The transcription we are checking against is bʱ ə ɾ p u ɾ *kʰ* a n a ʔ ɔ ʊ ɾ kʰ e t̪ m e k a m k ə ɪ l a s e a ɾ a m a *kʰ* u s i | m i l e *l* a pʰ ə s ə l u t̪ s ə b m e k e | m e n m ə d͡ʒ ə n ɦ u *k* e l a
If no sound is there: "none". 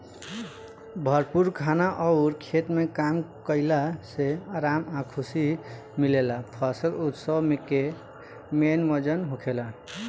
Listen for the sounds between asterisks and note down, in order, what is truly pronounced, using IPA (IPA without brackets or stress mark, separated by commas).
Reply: kʰ, kʰ, l, kʰ